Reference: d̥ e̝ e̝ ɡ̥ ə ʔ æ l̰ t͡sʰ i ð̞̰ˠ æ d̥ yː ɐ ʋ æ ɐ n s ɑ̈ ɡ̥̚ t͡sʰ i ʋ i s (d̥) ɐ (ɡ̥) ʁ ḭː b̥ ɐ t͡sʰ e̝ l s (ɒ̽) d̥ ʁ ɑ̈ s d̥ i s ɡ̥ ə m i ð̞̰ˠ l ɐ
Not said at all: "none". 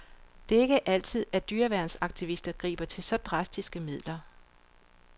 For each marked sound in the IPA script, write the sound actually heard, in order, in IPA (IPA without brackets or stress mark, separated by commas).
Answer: d̥, ɡ̥, ɒ̽